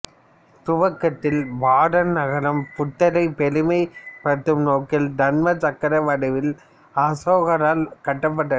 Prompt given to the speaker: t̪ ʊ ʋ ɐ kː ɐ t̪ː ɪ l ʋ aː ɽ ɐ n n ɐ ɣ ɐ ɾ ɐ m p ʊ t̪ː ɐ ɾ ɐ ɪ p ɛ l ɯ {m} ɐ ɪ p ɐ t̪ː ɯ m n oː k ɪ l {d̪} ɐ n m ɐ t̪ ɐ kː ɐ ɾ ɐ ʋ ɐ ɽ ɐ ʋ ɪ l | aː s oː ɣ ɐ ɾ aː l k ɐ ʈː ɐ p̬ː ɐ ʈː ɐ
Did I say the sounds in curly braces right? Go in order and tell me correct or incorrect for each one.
correct, correct

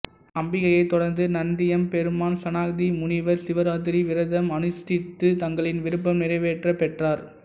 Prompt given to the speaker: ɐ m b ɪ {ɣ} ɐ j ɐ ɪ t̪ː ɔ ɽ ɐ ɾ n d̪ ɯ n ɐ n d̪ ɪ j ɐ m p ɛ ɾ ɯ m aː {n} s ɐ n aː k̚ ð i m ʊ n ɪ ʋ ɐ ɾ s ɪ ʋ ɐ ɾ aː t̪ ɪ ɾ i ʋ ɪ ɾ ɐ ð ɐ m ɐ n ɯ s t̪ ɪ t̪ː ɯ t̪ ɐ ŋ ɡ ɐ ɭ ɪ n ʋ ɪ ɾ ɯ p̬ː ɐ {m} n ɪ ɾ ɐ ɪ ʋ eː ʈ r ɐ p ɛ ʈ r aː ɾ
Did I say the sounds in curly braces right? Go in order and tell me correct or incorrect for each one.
correct, correct, correct

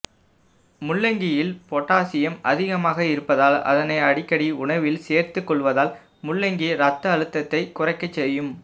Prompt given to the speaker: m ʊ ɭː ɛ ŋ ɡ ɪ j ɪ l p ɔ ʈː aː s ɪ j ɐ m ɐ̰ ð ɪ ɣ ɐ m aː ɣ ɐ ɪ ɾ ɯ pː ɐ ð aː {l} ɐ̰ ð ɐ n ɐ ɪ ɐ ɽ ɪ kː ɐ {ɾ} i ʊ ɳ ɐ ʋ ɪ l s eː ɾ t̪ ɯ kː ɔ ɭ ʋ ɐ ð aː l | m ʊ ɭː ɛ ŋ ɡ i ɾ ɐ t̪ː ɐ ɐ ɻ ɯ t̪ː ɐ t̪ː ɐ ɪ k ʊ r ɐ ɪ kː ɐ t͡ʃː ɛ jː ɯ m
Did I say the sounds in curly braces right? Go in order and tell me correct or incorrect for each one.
correct, incorrect

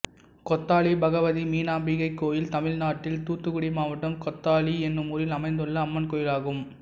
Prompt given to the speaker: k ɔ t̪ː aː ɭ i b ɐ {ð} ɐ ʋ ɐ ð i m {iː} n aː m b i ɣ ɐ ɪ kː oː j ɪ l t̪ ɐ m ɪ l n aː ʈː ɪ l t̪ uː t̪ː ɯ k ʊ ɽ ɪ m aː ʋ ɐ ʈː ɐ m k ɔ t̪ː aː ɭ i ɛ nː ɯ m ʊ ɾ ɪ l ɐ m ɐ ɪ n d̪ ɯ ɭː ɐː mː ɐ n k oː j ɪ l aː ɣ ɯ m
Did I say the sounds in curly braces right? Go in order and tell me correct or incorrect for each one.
incorrect, correct

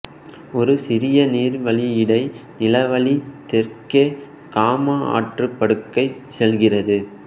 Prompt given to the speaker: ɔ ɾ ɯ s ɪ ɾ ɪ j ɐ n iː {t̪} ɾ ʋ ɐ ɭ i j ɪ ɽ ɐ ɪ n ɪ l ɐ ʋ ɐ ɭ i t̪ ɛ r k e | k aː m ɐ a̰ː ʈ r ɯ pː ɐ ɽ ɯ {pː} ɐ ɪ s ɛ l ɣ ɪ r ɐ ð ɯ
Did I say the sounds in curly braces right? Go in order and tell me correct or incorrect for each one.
incorrect, incorrect

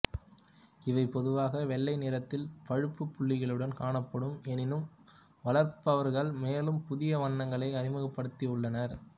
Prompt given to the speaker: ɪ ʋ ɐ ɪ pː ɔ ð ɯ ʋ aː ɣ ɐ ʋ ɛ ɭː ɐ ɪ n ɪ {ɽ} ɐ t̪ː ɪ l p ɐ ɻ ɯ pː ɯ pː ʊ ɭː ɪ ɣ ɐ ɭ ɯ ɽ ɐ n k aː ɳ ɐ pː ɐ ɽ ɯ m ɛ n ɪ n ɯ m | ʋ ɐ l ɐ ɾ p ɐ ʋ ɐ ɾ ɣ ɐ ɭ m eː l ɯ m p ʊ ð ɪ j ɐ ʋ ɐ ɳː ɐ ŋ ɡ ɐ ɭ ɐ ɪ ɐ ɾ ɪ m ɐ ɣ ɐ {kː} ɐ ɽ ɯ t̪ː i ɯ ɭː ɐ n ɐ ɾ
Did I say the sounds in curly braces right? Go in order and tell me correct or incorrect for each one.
incorrect, incorrect

